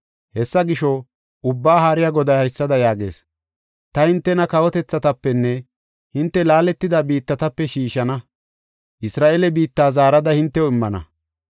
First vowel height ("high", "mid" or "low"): mid